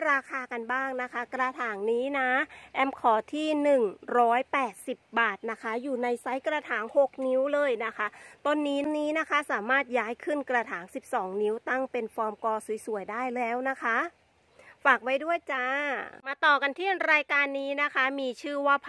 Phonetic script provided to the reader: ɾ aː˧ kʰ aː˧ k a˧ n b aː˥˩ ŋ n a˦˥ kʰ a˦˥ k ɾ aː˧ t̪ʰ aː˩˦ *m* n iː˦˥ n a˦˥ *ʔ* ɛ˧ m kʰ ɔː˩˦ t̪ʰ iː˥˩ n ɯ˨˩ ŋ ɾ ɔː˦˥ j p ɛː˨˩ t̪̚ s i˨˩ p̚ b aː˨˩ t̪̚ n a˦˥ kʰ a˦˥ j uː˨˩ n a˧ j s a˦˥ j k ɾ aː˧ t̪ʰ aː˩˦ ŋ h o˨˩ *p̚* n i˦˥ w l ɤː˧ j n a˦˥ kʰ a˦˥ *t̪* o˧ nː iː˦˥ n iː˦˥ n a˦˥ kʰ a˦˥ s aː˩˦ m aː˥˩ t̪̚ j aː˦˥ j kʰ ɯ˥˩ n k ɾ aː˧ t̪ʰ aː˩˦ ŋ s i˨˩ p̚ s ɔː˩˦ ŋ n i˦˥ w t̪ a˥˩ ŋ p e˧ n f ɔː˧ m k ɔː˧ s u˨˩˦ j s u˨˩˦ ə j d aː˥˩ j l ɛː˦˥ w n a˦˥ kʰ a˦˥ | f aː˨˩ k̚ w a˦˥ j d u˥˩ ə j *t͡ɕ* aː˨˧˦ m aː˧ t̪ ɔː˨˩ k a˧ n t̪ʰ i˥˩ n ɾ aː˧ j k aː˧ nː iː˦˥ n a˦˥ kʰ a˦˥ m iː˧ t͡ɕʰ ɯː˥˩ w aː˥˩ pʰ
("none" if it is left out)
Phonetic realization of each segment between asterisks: ŋ, ʔ, k̚, t̪, t͡ɕ

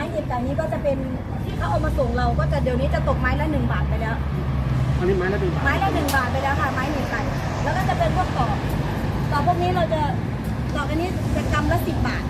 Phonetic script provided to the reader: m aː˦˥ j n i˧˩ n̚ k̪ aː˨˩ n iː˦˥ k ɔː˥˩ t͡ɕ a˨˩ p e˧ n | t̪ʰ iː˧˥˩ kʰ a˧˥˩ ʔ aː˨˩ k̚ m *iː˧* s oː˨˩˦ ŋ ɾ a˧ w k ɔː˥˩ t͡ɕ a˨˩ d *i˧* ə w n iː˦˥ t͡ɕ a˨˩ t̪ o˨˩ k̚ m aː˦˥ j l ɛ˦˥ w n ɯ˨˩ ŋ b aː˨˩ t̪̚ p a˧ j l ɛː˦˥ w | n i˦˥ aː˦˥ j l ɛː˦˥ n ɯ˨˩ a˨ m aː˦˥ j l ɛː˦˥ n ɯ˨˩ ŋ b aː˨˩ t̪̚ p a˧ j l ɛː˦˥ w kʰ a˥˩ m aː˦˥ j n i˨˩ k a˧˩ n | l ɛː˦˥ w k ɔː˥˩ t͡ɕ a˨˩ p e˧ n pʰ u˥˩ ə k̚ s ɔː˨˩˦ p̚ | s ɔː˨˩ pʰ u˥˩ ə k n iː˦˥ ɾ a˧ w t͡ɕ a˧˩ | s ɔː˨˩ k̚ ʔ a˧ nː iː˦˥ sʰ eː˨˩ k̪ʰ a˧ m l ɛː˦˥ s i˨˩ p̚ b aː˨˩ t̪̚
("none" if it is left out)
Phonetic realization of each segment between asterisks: aː˧, i˨˩

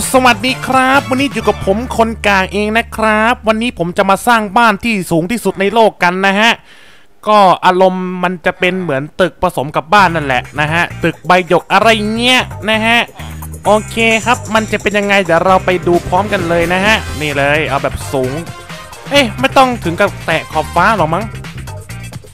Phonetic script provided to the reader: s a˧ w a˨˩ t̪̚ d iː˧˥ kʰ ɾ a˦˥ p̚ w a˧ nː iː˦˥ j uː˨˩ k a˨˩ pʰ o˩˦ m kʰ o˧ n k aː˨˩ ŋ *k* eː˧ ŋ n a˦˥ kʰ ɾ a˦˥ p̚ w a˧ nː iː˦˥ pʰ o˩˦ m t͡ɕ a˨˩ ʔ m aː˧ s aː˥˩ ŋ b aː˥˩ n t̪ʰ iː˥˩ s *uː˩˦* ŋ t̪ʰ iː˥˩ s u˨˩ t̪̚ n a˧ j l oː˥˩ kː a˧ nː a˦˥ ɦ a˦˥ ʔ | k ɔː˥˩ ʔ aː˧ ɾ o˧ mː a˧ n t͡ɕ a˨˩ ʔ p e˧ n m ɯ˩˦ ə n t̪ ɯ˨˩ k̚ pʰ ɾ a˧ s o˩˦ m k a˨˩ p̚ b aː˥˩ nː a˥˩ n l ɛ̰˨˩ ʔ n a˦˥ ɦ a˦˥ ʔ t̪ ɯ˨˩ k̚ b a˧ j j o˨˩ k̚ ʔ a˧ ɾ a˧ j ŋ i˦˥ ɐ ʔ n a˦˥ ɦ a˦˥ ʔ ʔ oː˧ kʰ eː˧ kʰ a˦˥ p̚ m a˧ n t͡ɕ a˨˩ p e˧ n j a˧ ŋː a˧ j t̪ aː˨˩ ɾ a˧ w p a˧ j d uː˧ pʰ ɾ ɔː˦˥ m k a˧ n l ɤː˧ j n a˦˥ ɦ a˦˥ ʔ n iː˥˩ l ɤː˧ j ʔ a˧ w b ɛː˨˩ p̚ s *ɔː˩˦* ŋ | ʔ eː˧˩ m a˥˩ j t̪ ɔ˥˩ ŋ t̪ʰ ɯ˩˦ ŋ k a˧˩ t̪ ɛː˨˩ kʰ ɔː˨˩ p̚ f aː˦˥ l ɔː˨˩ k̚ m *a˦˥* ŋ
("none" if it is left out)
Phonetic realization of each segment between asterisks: ʔ, uː˩˦, uː˩˦, a˦˥

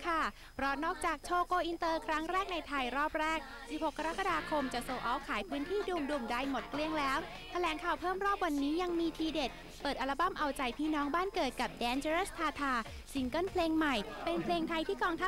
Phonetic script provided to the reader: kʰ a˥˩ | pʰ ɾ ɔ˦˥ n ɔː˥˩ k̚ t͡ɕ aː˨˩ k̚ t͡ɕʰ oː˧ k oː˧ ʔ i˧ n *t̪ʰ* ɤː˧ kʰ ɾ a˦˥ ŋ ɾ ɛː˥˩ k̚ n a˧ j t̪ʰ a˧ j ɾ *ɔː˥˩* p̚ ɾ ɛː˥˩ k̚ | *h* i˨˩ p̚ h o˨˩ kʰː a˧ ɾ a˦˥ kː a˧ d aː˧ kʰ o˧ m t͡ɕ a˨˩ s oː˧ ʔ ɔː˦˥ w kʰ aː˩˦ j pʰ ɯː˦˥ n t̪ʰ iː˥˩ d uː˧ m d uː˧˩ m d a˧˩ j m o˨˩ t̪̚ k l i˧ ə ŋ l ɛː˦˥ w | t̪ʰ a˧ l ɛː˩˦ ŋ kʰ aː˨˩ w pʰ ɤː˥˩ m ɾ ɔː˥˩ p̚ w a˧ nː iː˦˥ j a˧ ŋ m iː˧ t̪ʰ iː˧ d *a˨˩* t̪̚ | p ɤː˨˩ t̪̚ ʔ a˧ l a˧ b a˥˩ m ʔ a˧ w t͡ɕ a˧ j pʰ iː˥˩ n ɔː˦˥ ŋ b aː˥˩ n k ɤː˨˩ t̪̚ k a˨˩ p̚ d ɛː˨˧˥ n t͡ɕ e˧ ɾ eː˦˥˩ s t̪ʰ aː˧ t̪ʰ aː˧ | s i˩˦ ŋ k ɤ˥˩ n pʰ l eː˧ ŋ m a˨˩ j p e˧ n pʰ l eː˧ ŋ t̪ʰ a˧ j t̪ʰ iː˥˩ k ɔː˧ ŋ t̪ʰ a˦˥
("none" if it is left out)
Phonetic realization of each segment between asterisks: t̪, ɔː˥˩, s, e˨˩

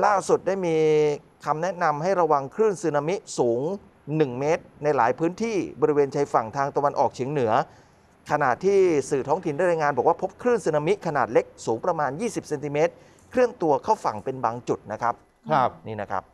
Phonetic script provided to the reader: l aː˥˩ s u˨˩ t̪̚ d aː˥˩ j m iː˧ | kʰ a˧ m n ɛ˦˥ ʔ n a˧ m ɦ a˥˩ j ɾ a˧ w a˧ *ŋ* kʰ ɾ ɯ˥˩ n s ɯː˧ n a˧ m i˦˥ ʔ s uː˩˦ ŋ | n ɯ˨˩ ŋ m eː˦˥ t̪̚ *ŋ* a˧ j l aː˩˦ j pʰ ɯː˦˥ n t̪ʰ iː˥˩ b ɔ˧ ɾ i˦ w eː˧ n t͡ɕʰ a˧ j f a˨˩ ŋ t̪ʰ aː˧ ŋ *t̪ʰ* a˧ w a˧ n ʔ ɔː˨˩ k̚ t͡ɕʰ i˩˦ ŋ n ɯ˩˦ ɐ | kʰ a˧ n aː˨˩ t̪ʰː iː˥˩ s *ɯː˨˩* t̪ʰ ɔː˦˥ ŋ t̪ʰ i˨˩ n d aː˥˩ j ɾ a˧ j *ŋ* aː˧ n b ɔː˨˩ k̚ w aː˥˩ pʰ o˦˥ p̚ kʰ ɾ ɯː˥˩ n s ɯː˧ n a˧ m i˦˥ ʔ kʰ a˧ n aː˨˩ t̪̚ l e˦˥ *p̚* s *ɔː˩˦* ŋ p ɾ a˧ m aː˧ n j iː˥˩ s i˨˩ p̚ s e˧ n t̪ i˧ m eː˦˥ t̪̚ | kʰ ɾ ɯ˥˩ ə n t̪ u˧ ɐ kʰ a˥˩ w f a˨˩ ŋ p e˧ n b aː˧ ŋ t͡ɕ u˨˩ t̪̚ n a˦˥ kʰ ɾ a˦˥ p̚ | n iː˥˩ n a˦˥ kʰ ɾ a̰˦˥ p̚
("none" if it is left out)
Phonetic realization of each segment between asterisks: ŋ, n, t̪, ɯː˨˩, ŋ, k̚, uː˩˦

